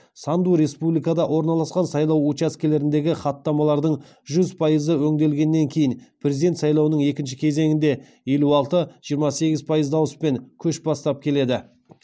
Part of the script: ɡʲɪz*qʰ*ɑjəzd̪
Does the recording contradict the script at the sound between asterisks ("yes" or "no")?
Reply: yes